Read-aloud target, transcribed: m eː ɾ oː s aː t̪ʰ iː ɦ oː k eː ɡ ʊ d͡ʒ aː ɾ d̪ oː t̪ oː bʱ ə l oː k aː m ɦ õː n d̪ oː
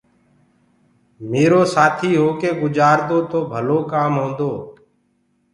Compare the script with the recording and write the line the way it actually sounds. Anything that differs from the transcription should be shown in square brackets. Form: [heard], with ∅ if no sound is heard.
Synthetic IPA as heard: m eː ɾ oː s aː t̪ʰ iː ɦ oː k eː ɡ ʊ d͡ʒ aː ɾ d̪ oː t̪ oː bʱ ə l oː k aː m ɦ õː n d̪ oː

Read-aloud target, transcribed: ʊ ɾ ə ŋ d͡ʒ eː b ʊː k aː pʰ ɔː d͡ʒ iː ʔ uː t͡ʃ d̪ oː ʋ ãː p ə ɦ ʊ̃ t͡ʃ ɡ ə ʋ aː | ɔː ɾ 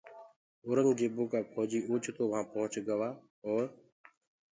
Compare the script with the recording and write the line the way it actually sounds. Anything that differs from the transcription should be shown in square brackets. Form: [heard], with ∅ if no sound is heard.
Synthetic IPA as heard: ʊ ɾ ə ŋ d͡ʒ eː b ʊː k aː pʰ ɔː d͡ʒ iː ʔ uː t͡ʃ [t̪] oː ʋ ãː p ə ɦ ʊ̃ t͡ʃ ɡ ə ʋ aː | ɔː ɾ

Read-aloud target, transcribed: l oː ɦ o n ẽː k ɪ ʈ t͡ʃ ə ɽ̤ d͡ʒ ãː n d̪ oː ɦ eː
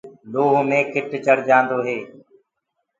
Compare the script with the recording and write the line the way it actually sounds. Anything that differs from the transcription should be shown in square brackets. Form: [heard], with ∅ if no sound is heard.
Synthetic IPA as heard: l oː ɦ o [m] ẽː k ɪ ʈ t͡ʃ ə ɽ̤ d͡ʒ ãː n d̪ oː ɦ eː

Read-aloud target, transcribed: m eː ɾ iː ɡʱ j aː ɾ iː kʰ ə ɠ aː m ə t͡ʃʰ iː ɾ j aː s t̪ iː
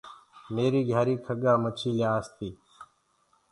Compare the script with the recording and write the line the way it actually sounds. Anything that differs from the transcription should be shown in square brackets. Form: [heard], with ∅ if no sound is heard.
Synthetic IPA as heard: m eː ɾ iː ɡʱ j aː ɾ iː kʰ ə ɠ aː m ə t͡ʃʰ iː [l] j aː s t̪ iː

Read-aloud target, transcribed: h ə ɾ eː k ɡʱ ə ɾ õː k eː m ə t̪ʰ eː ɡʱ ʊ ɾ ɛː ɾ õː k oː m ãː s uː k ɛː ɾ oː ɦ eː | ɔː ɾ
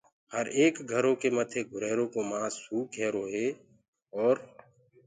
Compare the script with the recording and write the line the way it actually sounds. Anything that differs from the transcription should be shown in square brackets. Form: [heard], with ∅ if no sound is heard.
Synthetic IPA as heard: h ə ɾ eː k ɡʱ ə ɾ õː k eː m ə t̪ʰ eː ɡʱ ʊ ɾ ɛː ɾ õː k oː m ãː s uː k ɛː ɾ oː ɦ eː | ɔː ɾ

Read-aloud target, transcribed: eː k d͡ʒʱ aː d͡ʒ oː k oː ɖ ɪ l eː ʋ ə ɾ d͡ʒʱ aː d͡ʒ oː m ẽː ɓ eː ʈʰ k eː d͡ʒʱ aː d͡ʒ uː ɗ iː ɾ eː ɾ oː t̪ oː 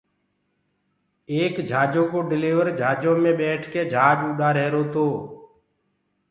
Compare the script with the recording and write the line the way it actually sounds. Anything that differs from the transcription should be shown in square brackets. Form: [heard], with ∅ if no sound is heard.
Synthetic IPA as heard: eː k d͡ʒʱ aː d͡ʒ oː k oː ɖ ɪ l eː ʋ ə ɾ d͡ʒʱ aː d͡ʒ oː m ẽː ɓ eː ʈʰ k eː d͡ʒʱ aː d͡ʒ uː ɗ [aː] ɾ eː ɾ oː t̪ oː

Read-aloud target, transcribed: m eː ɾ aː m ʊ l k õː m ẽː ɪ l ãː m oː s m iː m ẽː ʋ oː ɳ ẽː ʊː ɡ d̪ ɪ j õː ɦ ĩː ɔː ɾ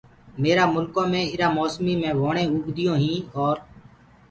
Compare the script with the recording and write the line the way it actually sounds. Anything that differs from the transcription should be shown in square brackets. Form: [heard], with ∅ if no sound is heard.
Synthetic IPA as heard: m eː ɾ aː m ʊ l k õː m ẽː ɪ [ɾ] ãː m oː s m iː m ẽː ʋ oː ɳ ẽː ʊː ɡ d̪ ɪ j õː ɦ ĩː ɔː ɾ

